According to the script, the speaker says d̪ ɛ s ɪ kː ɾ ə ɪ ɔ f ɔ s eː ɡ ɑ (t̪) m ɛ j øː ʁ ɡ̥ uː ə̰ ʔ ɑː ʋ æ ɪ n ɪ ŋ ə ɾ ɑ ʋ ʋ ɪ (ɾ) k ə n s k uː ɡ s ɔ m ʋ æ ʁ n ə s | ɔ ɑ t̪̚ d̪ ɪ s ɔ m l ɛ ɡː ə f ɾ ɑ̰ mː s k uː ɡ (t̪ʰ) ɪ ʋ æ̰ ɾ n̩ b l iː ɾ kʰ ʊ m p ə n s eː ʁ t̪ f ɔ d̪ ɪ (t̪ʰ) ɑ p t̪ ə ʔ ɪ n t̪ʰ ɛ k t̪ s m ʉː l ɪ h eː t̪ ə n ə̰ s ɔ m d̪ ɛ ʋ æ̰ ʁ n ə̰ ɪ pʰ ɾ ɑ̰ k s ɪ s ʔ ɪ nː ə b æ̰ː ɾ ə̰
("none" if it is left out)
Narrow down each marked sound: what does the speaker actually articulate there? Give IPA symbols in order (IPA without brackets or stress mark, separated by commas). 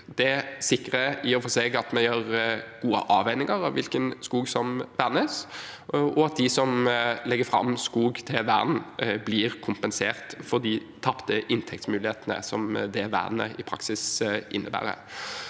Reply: t̪, l, t̪ʰ, t̪ʰ